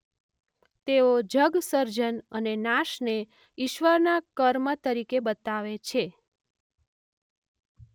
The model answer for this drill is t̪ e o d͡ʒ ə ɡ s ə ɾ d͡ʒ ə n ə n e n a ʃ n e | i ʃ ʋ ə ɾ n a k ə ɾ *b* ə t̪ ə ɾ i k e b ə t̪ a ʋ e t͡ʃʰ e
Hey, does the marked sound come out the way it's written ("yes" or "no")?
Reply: no